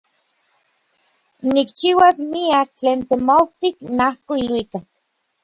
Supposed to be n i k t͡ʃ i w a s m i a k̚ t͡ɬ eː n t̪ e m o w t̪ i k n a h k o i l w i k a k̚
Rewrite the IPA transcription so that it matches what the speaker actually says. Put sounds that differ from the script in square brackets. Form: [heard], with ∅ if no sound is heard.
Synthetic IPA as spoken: n i k t͡ʃ i w a s m i a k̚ t͡ɬ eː n t̪ e m o w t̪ i k n a h k o i l w i k a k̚